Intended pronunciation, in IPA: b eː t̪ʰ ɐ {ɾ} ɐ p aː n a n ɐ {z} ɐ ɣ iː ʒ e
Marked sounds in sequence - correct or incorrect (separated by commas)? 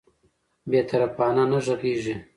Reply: correct, incorrect